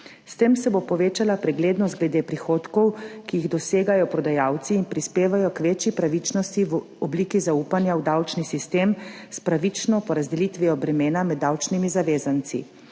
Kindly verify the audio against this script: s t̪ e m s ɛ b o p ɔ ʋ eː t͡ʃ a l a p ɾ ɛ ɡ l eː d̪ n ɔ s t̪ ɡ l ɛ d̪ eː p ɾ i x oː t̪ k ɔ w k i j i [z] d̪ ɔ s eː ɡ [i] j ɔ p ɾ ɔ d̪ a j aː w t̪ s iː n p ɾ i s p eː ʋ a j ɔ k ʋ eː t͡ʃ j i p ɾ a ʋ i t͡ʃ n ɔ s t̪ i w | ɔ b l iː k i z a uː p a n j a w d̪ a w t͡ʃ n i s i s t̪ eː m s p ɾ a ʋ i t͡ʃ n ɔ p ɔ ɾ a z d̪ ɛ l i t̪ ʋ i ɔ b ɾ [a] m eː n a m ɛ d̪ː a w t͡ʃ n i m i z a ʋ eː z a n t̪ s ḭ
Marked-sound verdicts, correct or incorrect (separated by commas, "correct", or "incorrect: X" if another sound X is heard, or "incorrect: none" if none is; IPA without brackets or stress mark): incorrect: ɣ, incorrect: a, incorrect: ɛ